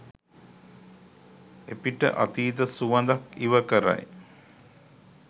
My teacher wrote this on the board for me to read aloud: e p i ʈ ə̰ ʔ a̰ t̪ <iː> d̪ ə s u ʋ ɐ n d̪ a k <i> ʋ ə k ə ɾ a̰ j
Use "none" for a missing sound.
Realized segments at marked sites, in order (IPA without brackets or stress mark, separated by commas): iː, i